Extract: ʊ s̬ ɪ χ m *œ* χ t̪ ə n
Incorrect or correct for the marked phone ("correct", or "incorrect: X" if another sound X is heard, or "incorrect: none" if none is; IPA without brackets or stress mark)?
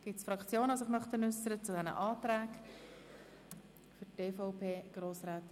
correct